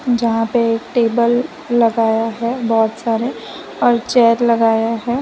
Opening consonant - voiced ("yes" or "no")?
yes